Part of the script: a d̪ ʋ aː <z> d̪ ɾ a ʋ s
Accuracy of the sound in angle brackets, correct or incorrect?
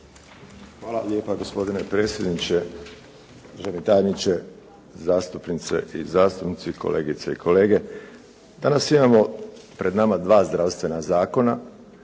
correct